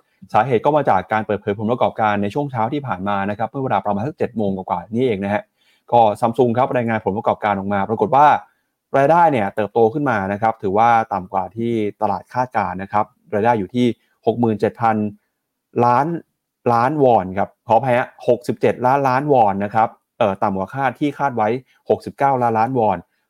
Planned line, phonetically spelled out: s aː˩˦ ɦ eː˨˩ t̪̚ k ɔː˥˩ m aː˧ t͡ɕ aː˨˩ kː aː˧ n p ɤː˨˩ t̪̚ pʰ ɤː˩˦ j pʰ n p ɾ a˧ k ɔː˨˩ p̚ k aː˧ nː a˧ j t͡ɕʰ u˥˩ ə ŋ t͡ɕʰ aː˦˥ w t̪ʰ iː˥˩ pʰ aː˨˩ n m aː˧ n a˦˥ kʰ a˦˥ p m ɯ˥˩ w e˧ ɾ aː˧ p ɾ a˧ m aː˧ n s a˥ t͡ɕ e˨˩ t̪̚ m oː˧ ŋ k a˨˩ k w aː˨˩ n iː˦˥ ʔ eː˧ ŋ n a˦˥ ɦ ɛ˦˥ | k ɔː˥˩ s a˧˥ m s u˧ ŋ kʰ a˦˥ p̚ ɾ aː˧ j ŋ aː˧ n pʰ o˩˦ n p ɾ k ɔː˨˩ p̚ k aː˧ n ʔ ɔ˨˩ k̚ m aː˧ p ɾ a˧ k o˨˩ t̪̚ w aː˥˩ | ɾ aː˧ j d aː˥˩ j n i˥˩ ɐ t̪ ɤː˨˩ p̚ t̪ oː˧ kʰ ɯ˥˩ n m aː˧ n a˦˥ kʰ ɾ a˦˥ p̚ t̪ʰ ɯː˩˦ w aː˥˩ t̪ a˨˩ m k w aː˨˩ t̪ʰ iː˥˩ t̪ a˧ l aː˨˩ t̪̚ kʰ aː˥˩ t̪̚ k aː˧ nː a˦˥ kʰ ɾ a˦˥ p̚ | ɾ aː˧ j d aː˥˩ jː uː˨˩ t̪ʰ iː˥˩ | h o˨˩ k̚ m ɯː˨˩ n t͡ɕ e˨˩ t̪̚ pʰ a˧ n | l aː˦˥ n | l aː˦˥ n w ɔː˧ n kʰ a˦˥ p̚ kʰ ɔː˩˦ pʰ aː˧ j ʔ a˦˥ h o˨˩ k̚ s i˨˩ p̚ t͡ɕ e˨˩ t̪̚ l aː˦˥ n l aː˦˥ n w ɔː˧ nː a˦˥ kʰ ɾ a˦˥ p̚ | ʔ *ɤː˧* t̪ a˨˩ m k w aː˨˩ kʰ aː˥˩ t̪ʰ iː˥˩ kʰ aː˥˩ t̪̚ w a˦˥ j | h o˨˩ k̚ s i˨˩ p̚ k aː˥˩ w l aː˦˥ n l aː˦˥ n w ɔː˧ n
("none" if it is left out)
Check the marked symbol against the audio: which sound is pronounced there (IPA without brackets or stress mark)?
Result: ɤː˨˩